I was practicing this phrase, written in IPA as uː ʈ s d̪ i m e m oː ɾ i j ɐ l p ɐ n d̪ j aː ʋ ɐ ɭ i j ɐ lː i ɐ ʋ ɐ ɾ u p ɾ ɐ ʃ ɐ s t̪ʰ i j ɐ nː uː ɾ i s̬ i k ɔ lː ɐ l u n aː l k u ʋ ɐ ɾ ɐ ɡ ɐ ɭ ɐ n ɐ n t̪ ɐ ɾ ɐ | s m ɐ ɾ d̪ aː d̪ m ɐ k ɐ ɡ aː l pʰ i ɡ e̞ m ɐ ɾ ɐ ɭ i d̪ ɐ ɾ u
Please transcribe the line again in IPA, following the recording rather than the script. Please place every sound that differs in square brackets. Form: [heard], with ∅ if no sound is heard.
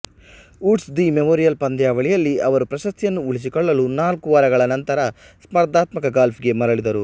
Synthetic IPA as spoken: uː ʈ s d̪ i m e m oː ɾ i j ɐ l p ɐ n d̪ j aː ʋ ɐ ɭ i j ɐ lː i ɐ ʋ ɐ ɾ u p ɾ ɐ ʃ ɐ s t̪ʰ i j ɐ nː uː [ɭ] i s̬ i k ɔ [ɭː] ɐ l u n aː l k u ʋ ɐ ɾ ɐ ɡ ɐ ɭ ɐ n ɐ n t̪ ɐ ɾ ɐ | s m ɐ ɾ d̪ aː [t̪] m ɐ k ɐ ɡ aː l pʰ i ɡ e̞ m ɐ ɾ ɐ ɭ i d̪ ɐ ɾ u